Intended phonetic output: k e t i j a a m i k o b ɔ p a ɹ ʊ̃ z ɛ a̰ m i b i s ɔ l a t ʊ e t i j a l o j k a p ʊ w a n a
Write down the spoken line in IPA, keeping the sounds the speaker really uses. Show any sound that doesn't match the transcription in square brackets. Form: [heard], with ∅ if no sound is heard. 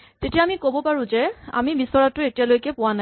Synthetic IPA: [t] e t i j a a m i k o b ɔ p a ɹ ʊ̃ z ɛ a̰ m i b i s ɔ [ɹ] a t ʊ e t i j a l o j k [ɛ] p ʊ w a n a